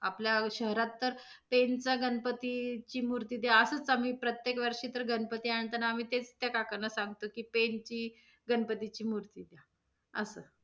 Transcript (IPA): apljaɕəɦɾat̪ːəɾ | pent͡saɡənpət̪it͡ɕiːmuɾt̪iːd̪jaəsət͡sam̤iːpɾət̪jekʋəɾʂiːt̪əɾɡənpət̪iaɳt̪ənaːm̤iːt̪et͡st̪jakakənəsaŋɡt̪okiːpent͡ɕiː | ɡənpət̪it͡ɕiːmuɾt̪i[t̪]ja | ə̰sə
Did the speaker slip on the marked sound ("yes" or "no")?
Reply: yes